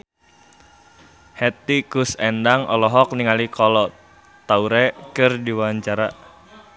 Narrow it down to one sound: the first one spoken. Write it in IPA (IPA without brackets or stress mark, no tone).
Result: h